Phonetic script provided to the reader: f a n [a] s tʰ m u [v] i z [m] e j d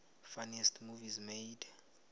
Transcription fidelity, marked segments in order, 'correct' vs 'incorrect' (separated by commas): incorrect, correct, correct